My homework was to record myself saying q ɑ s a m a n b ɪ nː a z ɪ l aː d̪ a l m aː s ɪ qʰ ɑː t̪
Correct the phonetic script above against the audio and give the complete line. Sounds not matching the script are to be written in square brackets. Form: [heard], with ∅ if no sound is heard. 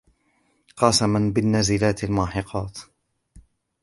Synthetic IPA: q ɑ s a m a n b ɪ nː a z ɪ l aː [t̪] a l m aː [ħ] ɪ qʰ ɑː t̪

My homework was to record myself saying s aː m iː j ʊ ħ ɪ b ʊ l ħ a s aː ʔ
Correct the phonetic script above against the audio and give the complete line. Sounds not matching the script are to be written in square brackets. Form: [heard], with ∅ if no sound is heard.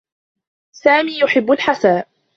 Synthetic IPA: s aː m iː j ʊ ħ ɪ [bː] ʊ l ħ a s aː ʔ

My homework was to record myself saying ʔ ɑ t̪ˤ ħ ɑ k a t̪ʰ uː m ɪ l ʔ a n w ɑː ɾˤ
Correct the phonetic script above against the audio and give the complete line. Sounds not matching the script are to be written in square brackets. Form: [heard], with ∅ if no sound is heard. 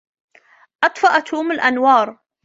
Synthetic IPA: ʔ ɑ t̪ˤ [f] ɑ [ʔ] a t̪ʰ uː m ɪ l ʔ a n w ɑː ɾˤ

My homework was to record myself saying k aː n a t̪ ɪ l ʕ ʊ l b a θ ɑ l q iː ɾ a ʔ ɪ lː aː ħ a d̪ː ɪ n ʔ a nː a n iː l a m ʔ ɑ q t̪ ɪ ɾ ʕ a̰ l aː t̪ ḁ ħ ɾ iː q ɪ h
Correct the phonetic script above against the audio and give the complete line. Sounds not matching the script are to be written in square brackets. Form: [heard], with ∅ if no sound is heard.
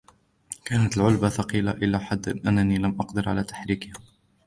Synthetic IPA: k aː n a t̪ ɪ l ʕ ʊ l b a θ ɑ [∅] q iː [l] a ʔ ɪ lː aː ħ a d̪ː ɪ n ʔ a nː a n iː l a m ʔ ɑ q [d̪] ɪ ɾ ʕ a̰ l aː t̪ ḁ ħ ɾ iː [k] ɪ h

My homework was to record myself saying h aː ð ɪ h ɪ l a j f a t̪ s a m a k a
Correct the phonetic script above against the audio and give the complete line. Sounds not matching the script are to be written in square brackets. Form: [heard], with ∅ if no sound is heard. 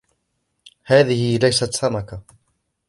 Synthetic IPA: h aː ð ɪ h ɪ l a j [s] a t̪ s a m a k a

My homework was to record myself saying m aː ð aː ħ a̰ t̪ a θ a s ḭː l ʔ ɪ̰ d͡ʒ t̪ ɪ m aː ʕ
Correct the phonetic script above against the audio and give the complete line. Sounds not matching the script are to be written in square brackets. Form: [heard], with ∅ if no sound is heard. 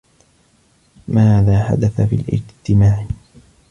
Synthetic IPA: m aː ð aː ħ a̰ [d̪] a θ a [f] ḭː l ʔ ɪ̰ d͡ʒ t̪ ɪ m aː ʕ

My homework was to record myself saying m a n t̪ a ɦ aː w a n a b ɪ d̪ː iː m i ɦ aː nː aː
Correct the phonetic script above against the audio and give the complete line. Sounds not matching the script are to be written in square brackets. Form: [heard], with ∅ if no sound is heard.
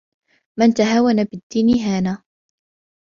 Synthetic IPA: m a n t̪ a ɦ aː w a n a b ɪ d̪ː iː [n] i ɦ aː [n] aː

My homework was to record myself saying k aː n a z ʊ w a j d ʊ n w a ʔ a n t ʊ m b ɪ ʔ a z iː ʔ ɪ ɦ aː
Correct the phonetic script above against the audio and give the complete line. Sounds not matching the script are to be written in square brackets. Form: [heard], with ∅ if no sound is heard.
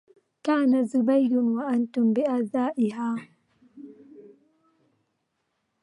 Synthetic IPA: k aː n a z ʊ [b] a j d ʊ n w a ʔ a n t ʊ m b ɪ ʔ a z [aː] ʔ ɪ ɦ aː

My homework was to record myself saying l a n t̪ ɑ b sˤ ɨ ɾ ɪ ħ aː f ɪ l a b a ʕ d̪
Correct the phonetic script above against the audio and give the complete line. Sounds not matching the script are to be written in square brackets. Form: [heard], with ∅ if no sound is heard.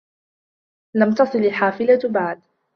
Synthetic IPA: l a [m] t̪ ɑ [∅] sˤ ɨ [l] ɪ ħ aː f ɪ l a b a ʕ d̪

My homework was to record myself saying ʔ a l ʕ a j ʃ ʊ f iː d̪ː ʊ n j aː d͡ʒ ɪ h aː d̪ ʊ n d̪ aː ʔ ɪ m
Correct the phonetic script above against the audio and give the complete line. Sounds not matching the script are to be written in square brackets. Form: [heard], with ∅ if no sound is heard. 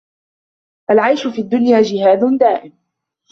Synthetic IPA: ʔ a l ʕ a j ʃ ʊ f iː d̪ː ʊ n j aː d͡ʒ ɪ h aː d̪ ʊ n d̪ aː ʔ ɪ m

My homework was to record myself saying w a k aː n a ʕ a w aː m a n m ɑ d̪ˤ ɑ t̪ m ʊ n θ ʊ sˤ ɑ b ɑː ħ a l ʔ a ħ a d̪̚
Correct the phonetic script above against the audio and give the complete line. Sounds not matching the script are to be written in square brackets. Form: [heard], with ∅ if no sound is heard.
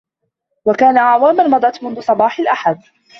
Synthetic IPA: w a k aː n a ʕ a w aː m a n m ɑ d̪ˤ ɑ t̪ m ʊ n [ð] ʊ sˤ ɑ b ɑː ħ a l ʔ a ħ a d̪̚

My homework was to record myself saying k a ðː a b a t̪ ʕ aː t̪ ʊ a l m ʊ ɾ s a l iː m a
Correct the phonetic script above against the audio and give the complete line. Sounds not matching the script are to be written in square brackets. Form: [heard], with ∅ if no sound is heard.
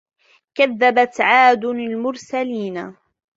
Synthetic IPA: k a ðː a b a t̪ ʕ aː [d̪] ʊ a l m ʊ ɾ s a l iː [n] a

